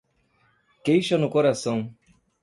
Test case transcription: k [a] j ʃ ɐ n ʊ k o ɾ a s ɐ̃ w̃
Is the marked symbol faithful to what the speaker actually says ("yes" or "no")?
no